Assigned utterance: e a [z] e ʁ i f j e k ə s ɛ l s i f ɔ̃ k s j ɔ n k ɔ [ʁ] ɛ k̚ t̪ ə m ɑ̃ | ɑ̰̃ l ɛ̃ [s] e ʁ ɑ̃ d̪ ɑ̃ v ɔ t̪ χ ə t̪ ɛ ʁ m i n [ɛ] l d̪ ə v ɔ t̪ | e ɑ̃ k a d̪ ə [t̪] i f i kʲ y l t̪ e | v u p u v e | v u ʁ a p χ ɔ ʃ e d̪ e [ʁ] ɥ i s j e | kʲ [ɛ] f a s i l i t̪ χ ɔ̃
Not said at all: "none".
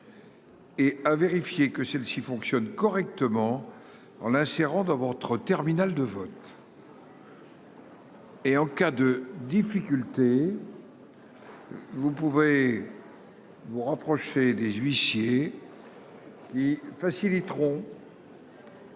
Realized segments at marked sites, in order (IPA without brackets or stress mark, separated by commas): v, ʁ, s, a, d̪, z, i